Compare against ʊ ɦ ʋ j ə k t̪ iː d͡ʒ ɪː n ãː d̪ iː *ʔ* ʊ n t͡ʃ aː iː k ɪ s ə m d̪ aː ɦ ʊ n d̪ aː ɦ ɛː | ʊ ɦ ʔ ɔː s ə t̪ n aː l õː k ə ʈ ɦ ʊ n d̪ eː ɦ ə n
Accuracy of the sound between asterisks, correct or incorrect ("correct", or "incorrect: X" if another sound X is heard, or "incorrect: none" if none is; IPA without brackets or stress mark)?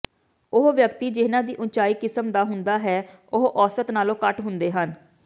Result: correct